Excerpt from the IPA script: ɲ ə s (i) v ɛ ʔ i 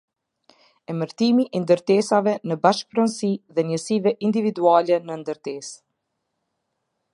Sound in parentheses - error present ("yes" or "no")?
no